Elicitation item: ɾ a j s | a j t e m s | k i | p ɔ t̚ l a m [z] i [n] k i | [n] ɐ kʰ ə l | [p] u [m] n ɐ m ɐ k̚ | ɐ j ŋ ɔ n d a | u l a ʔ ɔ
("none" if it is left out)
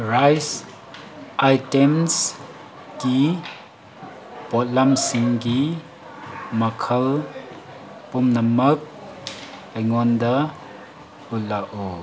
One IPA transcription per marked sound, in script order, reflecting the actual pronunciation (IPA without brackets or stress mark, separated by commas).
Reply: s, ŋ, m, p, m